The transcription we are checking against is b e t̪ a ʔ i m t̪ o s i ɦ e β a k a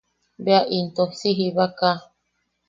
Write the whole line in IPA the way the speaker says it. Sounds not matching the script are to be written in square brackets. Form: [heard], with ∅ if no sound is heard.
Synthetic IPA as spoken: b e [∅] a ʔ i [n] t̪ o s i ɦ [i] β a k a